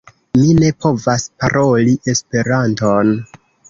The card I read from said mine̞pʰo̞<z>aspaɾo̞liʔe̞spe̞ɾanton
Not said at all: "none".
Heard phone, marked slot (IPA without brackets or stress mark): v